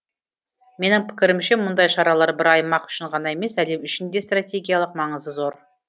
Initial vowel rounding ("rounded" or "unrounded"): unrounded